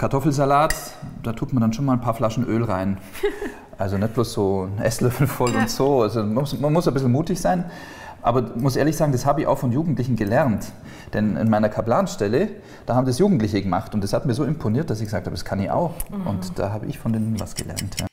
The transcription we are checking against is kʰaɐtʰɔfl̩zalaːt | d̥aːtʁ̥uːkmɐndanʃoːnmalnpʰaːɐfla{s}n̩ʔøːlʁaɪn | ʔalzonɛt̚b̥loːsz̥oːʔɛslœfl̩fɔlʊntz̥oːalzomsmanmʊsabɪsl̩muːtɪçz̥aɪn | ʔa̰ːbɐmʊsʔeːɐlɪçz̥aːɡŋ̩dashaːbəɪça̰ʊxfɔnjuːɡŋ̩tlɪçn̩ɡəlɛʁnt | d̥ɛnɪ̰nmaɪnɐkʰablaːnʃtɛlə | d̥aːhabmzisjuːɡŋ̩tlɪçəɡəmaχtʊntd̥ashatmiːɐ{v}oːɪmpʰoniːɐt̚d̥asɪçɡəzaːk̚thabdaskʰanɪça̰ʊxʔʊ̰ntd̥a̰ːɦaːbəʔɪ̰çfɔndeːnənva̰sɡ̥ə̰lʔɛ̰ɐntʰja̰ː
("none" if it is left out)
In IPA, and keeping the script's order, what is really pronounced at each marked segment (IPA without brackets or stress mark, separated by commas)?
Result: ʃ, z